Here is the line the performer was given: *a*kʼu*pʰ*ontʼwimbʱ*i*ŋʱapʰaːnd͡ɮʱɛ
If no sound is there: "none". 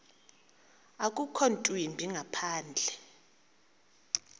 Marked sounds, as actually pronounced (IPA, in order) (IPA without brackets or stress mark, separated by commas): a, kʰ, i